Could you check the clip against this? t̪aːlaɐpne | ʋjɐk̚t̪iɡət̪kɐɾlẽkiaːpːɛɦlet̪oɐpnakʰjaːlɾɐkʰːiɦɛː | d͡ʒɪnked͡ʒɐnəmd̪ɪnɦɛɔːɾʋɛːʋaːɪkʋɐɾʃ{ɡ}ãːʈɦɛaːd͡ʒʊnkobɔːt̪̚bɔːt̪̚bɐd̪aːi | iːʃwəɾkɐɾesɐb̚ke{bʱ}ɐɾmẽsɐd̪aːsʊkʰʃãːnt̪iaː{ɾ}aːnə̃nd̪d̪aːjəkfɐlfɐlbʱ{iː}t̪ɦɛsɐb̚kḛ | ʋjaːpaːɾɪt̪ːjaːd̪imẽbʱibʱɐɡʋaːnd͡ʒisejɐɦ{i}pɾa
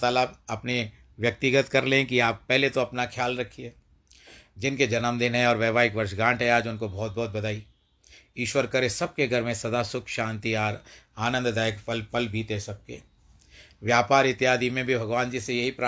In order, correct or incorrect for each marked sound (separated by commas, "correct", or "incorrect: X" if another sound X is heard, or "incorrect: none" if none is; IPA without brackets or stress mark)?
correct, incorrect: ɡʱ, correct, correct, correct